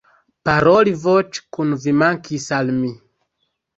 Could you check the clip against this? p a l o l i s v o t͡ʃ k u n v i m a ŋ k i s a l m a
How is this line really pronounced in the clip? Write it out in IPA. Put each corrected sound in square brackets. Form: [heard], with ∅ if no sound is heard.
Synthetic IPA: p a [ɾ] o l i [∅] v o t͡ʃ k u n v i m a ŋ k i s a l m [i]